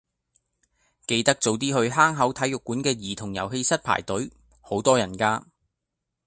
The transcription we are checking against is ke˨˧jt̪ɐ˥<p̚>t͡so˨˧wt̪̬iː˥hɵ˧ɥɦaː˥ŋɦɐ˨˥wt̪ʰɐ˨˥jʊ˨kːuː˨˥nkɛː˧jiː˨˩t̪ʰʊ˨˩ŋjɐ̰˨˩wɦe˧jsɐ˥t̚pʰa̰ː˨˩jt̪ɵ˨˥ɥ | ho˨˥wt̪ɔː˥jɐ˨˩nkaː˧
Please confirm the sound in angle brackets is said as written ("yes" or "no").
no